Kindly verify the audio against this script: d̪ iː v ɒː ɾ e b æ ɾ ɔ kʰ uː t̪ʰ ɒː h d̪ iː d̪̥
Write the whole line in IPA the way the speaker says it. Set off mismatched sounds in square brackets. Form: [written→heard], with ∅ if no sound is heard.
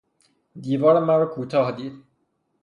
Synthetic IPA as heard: d̪ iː v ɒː ɾ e [b→m] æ ɾ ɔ kʰ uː t̪ʰ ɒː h d̪ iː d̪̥